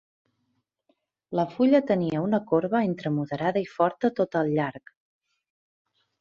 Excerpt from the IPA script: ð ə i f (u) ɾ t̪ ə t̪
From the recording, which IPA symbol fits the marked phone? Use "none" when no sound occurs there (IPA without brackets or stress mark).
ɔ